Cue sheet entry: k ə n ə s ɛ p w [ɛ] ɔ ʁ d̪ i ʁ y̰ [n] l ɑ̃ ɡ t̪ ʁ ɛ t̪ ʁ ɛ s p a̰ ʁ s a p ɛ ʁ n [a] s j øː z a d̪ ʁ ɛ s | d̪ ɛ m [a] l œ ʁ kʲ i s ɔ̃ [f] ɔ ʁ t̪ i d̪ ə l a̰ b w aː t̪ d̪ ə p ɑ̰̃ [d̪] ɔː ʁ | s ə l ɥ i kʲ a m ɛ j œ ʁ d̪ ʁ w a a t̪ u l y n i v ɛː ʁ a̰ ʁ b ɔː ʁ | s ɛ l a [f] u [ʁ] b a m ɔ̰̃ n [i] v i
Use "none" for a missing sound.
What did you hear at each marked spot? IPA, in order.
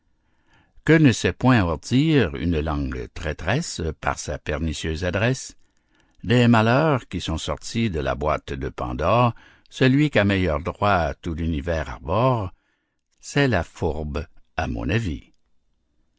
ɛ̃, n, i, a, s, d̪, f, ʁ, a

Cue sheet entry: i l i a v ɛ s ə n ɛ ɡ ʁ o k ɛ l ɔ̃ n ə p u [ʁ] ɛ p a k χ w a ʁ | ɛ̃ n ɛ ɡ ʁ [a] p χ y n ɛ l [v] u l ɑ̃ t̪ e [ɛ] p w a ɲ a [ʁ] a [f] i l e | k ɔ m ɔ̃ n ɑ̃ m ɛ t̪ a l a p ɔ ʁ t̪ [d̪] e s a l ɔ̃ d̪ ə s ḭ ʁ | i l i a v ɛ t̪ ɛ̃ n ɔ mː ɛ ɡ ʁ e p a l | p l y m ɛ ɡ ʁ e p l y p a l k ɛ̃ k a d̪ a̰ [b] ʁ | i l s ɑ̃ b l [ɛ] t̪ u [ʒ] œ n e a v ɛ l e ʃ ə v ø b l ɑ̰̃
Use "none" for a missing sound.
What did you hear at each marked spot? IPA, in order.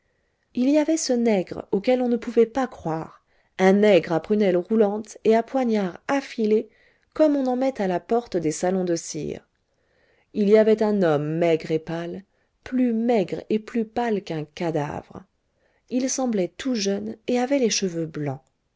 v, a, ʁ, a, ʁ, f, d̪, v, ɛ, ʒ

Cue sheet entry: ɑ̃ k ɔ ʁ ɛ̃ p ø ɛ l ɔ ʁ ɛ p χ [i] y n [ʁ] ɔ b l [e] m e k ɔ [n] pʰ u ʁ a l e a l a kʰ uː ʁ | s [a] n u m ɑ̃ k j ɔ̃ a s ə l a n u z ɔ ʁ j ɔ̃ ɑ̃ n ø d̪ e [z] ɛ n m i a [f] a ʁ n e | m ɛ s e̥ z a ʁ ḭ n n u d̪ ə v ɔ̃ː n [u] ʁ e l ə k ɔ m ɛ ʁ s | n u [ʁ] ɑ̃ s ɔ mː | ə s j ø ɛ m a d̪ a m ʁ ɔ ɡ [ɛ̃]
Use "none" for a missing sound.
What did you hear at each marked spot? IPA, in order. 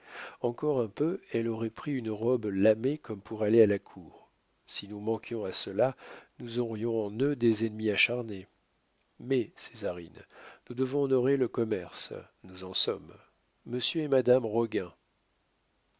i, ʁ, a, m, i, z, ʃ, ɔ, z, ɛ̃

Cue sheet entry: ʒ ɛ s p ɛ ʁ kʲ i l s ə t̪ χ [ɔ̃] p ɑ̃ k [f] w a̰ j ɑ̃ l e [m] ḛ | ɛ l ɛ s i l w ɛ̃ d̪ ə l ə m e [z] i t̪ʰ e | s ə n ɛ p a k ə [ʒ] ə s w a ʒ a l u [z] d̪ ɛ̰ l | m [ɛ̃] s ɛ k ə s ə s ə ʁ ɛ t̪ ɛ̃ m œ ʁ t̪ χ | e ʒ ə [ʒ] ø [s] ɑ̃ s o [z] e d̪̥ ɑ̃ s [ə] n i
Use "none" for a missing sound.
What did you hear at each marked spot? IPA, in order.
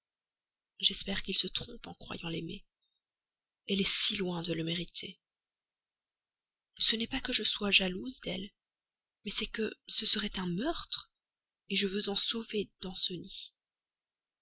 ɔ̃, χ, m, ʁ, ʒ, z, ɛ, v, z, v, ə

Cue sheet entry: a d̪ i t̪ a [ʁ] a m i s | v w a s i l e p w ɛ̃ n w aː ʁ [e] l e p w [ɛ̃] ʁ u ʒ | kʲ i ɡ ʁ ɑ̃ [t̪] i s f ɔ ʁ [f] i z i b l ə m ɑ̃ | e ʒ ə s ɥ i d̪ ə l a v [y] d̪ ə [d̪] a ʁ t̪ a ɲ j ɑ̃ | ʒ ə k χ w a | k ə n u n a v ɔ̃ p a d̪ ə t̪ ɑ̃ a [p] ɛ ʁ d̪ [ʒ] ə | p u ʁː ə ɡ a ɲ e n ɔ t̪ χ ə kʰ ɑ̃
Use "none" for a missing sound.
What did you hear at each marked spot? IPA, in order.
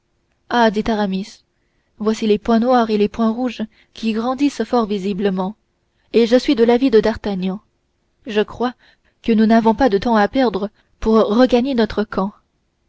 ʁ, e, ɛ̃, d̪, v, i, d̪, p, ʁ

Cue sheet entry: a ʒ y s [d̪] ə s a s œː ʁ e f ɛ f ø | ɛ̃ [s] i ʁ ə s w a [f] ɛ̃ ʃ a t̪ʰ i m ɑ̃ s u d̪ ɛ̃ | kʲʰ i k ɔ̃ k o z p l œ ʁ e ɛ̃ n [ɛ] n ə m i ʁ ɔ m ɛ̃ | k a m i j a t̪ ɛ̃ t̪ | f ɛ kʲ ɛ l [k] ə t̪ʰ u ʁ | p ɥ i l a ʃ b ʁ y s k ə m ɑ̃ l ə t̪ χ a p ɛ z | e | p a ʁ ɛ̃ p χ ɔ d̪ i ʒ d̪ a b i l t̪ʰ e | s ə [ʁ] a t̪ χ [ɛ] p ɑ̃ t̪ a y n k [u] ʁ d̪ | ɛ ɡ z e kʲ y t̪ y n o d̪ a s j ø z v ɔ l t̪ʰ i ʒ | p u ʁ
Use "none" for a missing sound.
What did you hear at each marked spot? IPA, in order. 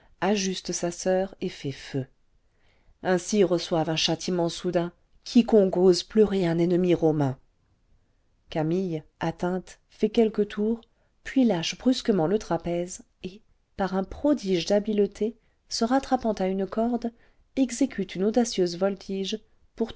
t̪, s, v, ɛ, k, ʁ, a, ɔ

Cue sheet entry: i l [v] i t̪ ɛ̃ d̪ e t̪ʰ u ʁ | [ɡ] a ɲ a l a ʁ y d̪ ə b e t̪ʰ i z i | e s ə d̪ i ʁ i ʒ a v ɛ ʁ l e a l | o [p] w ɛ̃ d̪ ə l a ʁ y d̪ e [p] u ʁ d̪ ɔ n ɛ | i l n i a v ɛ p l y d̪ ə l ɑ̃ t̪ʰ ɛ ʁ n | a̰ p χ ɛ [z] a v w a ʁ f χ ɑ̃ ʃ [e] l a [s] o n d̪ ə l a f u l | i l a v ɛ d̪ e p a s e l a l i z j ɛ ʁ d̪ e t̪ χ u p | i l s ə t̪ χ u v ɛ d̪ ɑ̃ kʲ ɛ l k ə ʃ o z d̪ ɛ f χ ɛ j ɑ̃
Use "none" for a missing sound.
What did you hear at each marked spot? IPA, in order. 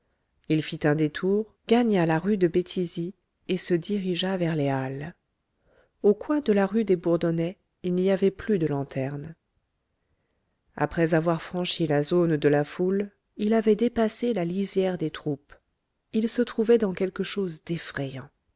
f, ɡ, k, b, z, i, z

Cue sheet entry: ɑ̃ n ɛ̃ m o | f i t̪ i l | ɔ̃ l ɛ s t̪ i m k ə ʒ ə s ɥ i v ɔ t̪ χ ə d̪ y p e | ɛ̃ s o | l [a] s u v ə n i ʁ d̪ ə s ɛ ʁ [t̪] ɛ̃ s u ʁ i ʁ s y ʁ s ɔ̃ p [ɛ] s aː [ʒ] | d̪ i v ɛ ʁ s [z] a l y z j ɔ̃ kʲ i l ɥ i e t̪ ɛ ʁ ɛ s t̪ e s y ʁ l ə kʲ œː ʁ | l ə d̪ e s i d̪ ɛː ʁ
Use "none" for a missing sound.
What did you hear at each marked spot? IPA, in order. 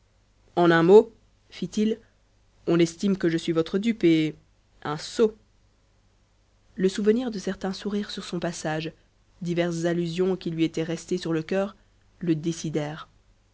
ə, t̪, a, ʒ, z

